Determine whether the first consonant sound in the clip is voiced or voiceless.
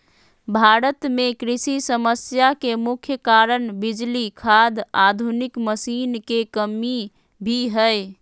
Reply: voiced